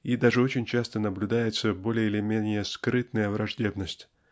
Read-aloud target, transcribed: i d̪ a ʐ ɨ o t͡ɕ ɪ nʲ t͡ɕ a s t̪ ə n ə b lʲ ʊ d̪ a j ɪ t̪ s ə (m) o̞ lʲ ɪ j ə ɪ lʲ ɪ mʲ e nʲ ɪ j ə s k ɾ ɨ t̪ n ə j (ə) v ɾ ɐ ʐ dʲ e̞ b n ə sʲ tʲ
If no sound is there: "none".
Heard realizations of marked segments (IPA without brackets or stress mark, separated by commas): b, ə